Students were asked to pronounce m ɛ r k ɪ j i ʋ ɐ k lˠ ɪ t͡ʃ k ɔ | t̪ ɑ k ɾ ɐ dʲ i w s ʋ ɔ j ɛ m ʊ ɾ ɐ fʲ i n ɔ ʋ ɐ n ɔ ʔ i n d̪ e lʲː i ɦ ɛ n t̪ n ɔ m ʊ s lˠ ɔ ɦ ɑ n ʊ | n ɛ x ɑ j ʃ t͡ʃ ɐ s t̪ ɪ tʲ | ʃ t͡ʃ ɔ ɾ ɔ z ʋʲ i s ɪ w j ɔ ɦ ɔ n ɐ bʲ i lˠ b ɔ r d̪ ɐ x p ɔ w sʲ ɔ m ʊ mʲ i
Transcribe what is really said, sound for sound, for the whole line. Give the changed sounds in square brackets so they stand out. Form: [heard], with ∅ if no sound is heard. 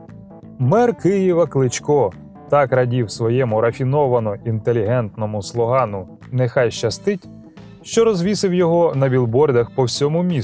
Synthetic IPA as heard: m ɛ r k ɪ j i ʋ ɐ k lˠ ɪ t͡ʃ k ɔ | t̪ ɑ k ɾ ɐ dʲ i w s ʋ ɔ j ɛ m ʊ ɾ ɐ fʲ i n ɔ ʋ ɐ n ɔ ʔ i n [t̪] e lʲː i ɦ ɛ n t̪ n ɔ m ʊ s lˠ ɔ ɦ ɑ n ʊ | n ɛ x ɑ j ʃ t͡ʃ ɐ s t̪ ɪ tʲ | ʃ t͡ʃ ɔ ɾ ɔ z ʋʲ i s ɪ w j ɔ ɦ ɔ n ɐ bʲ i lˠ b ɔ r d̪ ɐ x p ɔ w sʲ ɔ m ʊ mʲ i